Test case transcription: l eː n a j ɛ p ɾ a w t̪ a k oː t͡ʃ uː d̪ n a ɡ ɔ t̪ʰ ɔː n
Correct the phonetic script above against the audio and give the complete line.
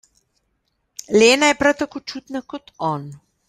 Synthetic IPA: l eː n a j ɛ p ɾ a w t̪ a k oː t͡ʃ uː t̪ n a k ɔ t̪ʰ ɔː n